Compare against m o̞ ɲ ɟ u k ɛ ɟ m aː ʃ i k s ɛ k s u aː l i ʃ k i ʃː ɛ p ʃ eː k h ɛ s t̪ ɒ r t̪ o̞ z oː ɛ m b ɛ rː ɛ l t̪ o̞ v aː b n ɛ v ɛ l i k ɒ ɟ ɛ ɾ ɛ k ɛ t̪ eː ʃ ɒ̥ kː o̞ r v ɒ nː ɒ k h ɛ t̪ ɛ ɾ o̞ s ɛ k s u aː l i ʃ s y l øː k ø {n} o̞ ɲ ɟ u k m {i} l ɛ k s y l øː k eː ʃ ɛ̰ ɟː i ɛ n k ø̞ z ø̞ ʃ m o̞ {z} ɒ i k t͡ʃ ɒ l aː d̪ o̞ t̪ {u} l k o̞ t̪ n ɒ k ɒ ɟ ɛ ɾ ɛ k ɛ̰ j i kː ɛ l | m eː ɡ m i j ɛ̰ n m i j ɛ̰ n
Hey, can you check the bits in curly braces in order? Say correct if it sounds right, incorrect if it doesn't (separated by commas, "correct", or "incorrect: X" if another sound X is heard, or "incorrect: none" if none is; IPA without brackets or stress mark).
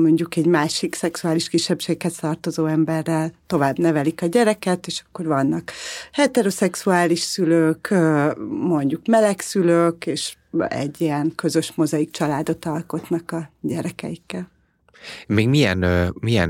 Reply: incorrect: m, incorrect: ɛ, correct, incorrect: ɒ